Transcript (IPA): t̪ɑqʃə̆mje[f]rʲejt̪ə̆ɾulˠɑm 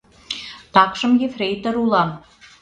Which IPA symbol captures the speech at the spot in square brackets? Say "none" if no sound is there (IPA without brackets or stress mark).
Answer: f